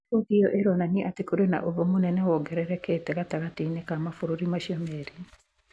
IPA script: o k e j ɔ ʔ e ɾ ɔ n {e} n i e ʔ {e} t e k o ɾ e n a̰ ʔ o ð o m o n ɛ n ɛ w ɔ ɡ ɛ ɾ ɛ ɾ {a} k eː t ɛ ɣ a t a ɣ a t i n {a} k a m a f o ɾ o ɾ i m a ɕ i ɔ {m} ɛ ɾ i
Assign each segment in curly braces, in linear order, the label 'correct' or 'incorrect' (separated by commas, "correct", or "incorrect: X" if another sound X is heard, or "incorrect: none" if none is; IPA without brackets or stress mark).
incorrect: a, incorrect: a, incorrect: ɛ, incorrect: e, correct